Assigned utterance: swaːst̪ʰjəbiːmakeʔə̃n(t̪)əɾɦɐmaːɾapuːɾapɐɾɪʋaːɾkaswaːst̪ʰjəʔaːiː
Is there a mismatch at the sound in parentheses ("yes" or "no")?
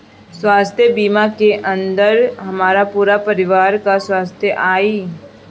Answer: yes